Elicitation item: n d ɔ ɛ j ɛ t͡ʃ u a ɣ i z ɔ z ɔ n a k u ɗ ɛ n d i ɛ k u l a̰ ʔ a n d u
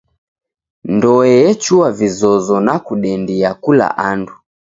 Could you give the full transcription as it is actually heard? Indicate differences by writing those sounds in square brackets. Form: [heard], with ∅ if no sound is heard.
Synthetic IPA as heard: n d ɔ ɛ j ɛ t͡ʃ u a [v] i z ɔ z ɔ n a k u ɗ ɛ n d i [a] k u l a̰ ʔ a n d u